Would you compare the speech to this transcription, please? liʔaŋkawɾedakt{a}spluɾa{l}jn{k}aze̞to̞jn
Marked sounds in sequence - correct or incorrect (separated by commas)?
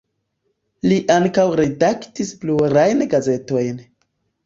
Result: incorrect, incorrect, incorrect